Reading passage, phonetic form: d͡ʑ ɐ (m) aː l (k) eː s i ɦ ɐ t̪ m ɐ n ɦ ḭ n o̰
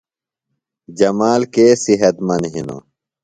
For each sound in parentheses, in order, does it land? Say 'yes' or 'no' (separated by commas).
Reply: yes, yes